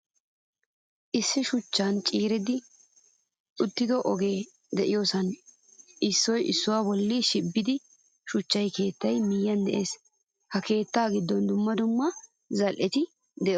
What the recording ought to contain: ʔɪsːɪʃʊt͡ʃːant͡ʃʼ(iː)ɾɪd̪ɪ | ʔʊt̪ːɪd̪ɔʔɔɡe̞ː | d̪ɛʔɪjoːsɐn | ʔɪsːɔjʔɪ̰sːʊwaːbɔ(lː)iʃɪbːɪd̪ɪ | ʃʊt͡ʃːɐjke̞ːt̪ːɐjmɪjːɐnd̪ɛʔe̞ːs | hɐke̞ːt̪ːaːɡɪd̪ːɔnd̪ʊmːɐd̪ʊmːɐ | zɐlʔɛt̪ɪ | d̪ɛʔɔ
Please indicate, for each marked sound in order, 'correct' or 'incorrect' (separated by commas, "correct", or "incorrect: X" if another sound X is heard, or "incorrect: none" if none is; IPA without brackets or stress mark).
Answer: correct, correct